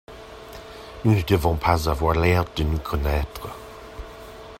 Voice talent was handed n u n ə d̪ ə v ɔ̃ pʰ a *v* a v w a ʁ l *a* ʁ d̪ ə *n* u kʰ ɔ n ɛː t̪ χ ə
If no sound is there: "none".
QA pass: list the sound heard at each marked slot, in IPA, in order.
z, ɛ, n

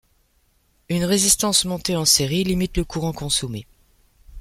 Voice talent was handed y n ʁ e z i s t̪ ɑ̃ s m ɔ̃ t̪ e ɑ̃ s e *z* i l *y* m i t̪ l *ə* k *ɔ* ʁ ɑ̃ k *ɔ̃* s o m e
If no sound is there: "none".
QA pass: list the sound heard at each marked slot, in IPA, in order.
ʁ, i, ə, u, ɔ̃

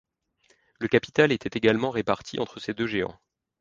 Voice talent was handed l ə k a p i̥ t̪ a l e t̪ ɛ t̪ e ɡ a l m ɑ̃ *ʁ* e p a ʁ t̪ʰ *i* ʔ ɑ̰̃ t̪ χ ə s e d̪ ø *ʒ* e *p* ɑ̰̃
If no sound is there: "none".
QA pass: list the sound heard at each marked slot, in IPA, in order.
ʁ, i, ʒ, none

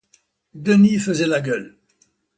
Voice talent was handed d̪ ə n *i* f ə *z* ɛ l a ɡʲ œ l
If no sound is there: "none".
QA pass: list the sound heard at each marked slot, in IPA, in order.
i, z

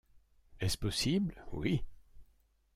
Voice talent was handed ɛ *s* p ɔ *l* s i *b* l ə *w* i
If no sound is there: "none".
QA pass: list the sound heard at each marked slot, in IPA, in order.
s, none, b, w

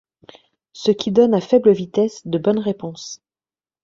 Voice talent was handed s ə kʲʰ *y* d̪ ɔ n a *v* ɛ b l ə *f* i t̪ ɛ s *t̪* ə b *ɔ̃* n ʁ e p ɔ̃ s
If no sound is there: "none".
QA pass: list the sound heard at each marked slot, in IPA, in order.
i, f, v, d̪, ɔ

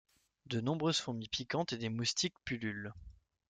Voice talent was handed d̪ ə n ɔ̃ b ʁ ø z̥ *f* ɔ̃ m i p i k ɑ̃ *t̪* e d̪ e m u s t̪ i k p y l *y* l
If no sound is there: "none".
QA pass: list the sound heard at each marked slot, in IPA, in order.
f, t̪, y

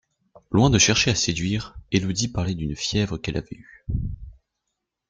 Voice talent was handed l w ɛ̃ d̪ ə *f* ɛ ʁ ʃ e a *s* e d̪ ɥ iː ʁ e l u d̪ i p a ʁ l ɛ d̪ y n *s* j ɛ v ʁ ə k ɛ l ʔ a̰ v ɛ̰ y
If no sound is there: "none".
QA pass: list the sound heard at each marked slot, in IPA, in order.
ʃ, s, f

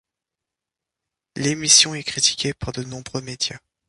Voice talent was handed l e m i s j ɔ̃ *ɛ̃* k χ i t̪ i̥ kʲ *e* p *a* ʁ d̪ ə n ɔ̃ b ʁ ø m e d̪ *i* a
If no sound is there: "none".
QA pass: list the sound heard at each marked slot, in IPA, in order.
ɛ, e, a, j

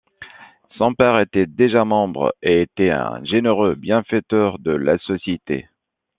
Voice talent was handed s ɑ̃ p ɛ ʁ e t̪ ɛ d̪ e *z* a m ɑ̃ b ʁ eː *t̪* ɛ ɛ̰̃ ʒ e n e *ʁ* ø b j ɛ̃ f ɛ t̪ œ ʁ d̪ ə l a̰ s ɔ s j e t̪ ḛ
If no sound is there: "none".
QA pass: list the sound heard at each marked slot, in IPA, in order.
ʒ, t̪, ʁ

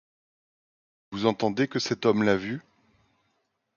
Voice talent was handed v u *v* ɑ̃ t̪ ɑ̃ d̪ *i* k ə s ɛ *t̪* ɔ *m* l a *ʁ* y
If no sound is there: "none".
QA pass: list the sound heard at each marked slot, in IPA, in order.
z, e, t̪, m, v

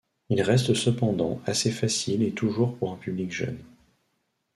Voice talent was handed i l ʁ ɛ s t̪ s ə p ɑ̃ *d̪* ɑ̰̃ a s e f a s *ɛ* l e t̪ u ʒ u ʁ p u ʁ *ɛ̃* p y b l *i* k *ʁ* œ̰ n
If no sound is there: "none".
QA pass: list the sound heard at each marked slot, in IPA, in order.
d̪, i, ɛ̃, i, ʒ

